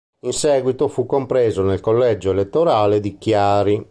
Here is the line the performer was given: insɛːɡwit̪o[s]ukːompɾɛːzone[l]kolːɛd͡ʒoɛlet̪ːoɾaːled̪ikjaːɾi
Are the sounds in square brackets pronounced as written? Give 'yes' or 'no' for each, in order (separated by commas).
no, yes